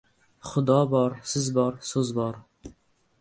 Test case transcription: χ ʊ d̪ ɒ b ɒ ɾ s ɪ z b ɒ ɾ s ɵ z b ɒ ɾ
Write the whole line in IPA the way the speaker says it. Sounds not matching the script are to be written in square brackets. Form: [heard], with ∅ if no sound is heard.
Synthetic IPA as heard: χ ʊ d̪ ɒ b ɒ ɾ s ɪ z b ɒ ɾ s ɵ z b ɒ ɾ